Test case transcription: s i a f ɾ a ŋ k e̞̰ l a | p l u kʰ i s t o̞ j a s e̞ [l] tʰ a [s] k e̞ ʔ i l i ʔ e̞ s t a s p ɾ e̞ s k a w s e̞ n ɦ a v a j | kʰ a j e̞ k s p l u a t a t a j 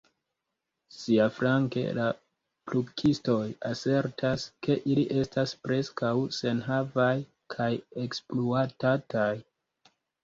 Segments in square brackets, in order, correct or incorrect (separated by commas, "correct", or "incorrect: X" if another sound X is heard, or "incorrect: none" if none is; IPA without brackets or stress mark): incorrect: ɾ, correct